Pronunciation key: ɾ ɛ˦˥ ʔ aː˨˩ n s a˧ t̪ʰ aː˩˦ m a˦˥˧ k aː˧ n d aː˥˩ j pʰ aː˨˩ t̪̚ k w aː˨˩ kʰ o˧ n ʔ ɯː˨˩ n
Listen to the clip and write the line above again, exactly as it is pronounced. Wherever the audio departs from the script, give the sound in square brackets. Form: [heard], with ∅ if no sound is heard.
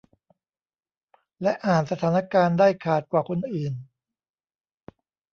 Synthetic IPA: [l] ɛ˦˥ ʔ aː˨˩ n s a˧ t̪ʰ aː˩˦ [n] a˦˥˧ k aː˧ n d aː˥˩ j [kʰ] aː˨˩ t̪̚ k w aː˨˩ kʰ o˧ n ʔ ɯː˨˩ n